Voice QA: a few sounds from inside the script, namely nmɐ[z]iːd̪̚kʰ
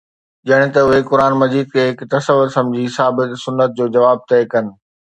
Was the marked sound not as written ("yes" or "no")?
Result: no